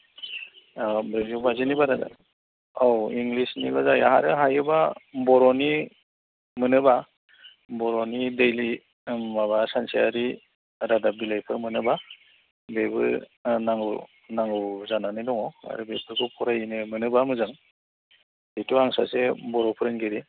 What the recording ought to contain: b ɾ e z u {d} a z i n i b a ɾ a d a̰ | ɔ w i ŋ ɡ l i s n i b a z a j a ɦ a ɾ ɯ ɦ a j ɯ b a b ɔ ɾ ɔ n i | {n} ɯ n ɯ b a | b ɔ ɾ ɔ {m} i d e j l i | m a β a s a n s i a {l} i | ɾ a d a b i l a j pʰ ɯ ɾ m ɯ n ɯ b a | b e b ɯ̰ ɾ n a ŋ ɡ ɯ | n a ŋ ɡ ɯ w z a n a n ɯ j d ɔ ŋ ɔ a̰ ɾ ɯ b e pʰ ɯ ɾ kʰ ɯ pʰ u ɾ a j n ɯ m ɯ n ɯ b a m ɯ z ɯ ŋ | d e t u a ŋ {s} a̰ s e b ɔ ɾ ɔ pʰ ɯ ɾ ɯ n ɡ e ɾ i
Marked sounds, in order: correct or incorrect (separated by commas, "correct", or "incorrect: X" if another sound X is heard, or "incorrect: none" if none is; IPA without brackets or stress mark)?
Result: incorrect: b, incorrect: m, incorrect: n, incorrect: ɾ, correct